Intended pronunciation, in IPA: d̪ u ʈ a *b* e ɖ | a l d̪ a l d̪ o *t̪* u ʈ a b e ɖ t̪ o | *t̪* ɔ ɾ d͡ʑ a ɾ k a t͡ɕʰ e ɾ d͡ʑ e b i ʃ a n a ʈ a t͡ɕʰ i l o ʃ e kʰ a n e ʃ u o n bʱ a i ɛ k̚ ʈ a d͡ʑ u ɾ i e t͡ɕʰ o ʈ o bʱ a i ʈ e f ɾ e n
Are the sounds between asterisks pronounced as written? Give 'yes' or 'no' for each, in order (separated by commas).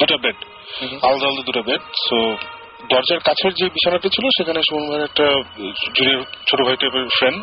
yes, no, no